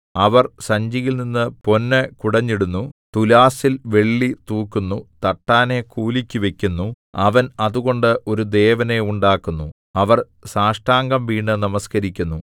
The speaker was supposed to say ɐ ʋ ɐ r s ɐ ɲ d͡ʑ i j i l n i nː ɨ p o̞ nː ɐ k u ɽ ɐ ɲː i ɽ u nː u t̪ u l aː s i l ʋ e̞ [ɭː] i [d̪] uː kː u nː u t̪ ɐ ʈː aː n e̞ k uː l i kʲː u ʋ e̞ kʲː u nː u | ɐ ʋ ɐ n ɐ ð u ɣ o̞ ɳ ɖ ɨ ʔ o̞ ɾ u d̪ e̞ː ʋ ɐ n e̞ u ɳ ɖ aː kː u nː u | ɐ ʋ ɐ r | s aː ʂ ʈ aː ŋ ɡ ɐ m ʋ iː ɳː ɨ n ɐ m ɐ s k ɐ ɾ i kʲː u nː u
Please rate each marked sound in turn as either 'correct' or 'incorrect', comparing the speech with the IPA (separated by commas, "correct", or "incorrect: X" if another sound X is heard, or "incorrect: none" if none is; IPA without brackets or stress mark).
correct, incorrect: t̪